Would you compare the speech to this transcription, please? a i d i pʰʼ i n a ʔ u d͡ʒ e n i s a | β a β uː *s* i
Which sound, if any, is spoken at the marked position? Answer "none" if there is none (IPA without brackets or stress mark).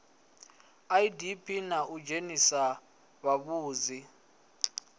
z